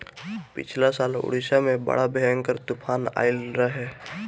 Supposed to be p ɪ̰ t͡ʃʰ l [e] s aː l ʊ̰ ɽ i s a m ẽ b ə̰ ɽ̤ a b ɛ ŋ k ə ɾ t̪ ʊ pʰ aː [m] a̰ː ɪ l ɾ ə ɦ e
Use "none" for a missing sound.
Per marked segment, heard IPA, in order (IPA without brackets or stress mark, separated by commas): a, n